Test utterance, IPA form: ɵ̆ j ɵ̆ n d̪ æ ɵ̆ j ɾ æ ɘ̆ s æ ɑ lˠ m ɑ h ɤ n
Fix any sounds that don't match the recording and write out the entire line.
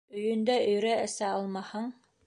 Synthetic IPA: ɵ̆ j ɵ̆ n d̪ æ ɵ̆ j ɾ æ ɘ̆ s æ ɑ lˠ m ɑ h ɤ ɴ